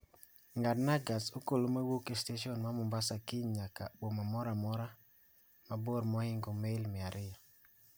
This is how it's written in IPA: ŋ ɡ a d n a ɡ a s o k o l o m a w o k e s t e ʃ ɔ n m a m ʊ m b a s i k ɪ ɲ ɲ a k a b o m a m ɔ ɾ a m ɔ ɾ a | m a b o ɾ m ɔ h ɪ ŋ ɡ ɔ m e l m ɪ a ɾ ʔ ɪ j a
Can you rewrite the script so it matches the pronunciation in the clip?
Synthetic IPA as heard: ŋ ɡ a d n a ɡ a s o k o l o m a w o k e s t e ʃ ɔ n m a m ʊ m b a s a k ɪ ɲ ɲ a k a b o m a m ɔ ɾ a m ɔ ɾ a | m a b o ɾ m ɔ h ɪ ŋ ɡ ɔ m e l m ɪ a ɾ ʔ ɪ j a